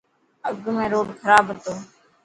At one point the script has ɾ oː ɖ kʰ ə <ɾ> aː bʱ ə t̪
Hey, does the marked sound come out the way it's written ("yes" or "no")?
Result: yes